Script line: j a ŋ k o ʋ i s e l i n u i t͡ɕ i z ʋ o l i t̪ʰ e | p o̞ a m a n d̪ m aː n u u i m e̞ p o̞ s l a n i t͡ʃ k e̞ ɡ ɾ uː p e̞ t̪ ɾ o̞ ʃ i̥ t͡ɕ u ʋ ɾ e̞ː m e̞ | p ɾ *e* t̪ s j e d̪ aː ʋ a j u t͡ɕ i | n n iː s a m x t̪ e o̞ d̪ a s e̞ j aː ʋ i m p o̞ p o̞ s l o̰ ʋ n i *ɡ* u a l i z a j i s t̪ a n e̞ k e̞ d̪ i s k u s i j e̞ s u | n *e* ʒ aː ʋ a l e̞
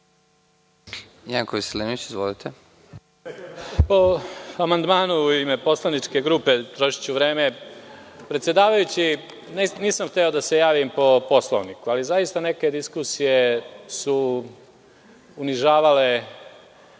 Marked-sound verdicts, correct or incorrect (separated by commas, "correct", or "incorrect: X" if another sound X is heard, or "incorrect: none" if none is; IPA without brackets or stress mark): correct, incorrect: k, incorrect: i